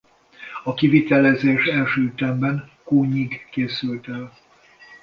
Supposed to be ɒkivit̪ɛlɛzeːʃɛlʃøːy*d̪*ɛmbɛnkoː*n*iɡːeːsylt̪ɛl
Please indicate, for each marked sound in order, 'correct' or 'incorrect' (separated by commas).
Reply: incorrect, incorrect